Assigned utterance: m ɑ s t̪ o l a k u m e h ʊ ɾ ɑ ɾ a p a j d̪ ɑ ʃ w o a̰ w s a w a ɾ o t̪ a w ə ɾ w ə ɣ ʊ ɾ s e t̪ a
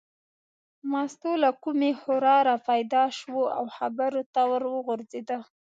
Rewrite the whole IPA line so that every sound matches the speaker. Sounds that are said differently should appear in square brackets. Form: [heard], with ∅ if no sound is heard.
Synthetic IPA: m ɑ s t̪ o l a k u m e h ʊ ɾ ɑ ɾ a p a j d̪ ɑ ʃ w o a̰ w [x] a [b] a ɾ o t̪ a w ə ɾ w ə ɣ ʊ ɾ [z] e [d̪] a